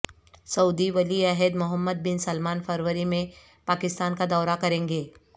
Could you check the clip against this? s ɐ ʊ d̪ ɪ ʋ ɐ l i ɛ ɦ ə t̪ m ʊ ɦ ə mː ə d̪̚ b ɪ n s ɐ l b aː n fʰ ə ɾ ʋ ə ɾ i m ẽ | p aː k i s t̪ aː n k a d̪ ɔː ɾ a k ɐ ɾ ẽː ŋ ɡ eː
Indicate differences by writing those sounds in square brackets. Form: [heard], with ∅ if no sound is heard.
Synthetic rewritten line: s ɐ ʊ d̪ [i] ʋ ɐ l i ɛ ɦ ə [d̪] m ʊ ɦ ə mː ə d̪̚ b ɪ n s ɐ l [m] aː n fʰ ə ɾ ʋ ə ɾ i m ẽ | p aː k [ɪ] s t̪ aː n k a d̪ ɔː ɾ a k ɐ ɾ ẽː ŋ ɡ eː